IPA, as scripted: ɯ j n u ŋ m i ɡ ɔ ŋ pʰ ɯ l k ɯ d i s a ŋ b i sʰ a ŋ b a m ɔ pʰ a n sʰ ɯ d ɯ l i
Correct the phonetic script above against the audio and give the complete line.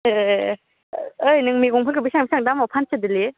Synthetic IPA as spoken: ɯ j n ɯ ŋ m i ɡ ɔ ŋ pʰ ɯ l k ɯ b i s a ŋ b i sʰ a ŋ d a m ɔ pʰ a n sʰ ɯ d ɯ l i